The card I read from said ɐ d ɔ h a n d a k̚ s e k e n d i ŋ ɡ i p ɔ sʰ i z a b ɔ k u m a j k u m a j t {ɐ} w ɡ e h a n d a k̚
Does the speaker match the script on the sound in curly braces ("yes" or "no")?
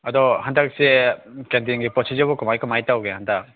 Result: no